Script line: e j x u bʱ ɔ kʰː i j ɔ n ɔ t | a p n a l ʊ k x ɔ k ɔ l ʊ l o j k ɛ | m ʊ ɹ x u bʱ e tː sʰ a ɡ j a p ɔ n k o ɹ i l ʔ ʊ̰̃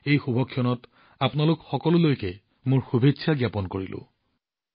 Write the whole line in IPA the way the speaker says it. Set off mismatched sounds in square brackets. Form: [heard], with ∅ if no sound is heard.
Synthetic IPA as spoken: e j x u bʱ ɔ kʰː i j ɔ n ɔ t | a p n a l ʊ k x ɔ k ɔ l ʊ l o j k ɛ | m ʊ ɹ x u bʱ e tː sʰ a ɡ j a p ɔ n k o ɹ i l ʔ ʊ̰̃